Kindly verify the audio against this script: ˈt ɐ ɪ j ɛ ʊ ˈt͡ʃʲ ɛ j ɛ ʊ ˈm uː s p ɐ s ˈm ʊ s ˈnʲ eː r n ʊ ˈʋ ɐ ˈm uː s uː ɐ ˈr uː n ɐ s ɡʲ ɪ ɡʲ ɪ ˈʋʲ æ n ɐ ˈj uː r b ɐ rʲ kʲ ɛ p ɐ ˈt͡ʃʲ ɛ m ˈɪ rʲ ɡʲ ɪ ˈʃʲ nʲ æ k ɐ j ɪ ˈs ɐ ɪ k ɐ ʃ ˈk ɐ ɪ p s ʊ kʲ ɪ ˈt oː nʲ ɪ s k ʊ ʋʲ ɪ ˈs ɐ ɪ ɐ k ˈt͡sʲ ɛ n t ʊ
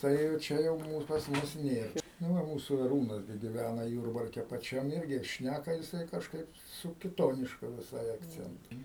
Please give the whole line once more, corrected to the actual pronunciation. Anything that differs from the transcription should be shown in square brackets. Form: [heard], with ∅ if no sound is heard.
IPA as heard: ˈt ɐ ɪ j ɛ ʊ ˈt͡ʃʲ ɛ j ɛ ʊ ˈm uː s p ɐ s ˈm ʊ s ˈnʲ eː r n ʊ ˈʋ ɐ ˈm uː s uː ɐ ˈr uː n ɐ s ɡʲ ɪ ɡʲ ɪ ˈʋʲ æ n ɐ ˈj uː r b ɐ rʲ kʲ ɛ p ɐ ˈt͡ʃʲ ɛ m ˈɪ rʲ ɡʲ ɪ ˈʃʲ nʲ æ k ɐ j ɪ ˈs ɐ ɪ k ɐ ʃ ˈk ɐ ɪ p s ʊ kʲ ɪ ˈt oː nʲ ɪ [ʃ] k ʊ ʋʲ ɪ ˈs ɐ ɪ ɐ k ˈt͡sʲ ɛ n t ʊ